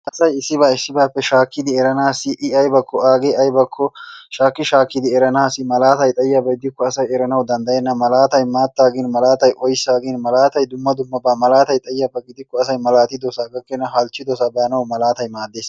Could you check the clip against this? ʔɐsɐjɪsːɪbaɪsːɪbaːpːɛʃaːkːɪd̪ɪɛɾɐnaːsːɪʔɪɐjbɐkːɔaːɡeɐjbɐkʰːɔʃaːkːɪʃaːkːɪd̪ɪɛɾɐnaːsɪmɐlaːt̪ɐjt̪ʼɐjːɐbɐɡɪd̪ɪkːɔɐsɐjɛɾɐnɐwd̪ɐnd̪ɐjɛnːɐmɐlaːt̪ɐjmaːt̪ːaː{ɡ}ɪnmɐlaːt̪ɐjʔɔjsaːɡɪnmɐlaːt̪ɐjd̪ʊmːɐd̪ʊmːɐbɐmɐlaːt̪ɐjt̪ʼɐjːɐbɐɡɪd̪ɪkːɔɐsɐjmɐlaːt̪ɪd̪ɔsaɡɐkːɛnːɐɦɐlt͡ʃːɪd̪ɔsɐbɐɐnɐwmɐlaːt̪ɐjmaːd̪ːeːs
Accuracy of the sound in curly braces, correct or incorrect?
correct